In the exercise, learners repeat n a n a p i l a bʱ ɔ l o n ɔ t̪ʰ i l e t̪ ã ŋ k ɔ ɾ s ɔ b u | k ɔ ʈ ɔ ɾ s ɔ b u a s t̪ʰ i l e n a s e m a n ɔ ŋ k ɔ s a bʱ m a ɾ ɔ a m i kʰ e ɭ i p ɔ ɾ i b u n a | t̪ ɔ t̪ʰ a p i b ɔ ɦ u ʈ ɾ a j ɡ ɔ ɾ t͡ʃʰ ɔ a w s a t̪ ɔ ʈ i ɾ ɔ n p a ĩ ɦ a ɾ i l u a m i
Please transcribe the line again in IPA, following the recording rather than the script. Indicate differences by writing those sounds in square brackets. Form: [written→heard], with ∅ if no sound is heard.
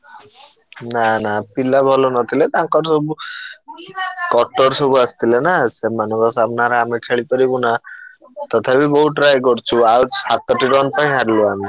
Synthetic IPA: n a n a p i l a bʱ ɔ l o n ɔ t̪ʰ i l e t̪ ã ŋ k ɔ ɾ s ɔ b u | k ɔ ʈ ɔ ɾ s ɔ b u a s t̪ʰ i l e n a s e m a n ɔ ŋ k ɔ s a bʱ [m→n] a ɾ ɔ a m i kʰ e ɭ i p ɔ ɾ i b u n a | t̪ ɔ t̪ʰ a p i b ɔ ɦ u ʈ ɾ a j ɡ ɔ ɾ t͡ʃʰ [ɔ→u] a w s a t̪ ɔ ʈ i ɾ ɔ n p a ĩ ɦ a ɾ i l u a m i